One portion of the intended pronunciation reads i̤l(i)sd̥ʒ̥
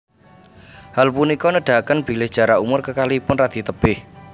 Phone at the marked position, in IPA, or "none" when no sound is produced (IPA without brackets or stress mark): ɪ